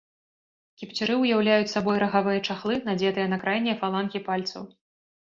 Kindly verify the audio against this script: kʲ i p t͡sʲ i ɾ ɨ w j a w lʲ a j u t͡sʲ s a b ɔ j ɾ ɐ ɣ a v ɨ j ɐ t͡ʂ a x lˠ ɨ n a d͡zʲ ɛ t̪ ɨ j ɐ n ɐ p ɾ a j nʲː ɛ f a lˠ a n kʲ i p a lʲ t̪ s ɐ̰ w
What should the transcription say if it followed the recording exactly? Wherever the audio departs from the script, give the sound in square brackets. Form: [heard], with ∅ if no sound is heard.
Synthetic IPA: kʲ i p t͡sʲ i ɾ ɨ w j a w lʲ a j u t͡sʲ s a b ɔ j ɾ ɐ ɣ a v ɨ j ɐ t͡ʂ a x lˠ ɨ n a d͡zʲ ɛ t̪ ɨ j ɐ n ɐ [k] ɾ a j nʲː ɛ f a lˠ a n kʲ i p a lʲ t̪ s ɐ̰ w